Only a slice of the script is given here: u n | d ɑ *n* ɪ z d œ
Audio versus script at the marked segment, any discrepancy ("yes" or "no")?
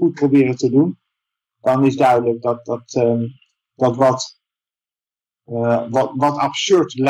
no